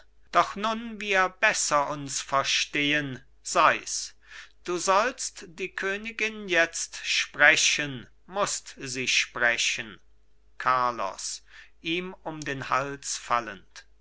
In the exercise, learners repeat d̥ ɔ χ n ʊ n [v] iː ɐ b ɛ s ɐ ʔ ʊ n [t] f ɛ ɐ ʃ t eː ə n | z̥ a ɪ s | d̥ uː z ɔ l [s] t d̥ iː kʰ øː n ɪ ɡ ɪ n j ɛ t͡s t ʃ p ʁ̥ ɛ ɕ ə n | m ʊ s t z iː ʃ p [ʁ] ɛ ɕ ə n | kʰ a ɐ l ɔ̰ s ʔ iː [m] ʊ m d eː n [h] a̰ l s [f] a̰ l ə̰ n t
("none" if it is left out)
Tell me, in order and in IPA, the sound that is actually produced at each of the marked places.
v, s, s, ʁ, m, h, f

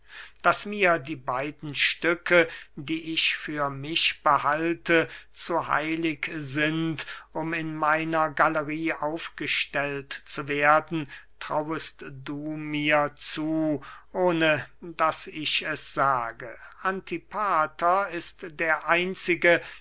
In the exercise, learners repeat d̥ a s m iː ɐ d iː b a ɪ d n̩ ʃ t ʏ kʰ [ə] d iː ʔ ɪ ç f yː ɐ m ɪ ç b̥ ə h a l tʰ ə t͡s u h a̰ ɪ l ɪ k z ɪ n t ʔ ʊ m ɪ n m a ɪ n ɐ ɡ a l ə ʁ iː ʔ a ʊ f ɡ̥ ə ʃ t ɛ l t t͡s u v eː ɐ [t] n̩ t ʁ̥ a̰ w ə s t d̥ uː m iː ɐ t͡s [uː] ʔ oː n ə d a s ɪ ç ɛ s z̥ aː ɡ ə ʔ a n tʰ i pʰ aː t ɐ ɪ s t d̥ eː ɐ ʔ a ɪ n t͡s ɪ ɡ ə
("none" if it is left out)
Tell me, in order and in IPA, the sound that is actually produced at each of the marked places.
ə, d, uː

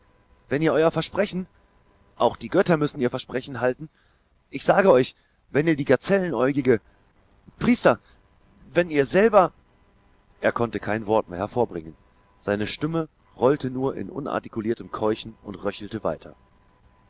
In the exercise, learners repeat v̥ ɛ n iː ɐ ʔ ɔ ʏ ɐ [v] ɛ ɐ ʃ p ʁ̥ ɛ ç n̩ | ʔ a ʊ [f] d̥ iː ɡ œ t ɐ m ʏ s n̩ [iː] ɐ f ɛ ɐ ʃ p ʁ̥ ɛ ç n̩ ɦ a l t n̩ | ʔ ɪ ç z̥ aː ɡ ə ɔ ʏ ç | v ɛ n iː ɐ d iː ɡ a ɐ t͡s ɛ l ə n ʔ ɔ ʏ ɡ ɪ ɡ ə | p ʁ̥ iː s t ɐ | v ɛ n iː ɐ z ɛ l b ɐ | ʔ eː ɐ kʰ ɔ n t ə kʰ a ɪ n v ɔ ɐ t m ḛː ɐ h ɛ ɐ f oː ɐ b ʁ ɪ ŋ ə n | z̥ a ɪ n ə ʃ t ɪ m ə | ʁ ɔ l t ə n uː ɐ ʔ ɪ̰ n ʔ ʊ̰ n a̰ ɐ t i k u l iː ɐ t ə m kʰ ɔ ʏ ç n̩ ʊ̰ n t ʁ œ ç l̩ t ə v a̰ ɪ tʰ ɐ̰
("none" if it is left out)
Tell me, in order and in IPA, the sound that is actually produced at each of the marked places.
f, x, iː

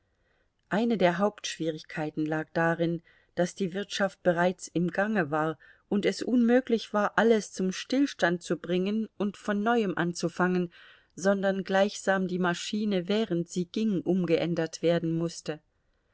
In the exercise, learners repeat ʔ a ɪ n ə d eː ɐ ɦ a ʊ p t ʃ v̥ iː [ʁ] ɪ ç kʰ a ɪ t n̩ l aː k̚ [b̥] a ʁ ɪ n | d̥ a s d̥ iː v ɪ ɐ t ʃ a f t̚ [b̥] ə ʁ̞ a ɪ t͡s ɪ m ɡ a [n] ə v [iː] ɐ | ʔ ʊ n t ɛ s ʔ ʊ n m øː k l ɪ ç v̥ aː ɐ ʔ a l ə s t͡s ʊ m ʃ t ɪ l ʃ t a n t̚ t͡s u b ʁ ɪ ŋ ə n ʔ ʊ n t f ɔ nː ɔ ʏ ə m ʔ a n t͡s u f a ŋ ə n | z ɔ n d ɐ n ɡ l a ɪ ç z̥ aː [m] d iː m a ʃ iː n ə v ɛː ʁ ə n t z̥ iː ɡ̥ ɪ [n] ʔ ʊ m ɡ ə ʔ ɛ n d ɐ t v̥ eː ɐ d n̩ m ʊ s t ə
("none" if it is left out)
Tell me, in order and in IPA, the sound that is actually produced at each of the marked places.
ʁ, d̥, b̥, ŋ, aː, m, ŋ

